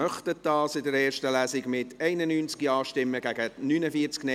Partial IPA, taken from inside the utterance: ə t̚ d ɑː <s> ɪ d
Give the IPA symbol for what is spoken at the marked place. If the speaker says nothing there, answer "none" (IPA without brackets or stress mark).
s